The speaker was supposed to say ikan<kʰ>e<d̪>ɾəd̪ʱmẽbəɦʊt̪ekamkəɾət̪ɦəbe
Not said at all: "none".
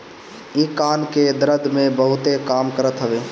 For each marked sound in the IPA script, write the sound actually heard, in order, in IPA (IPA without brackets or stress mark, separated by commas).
k, d̪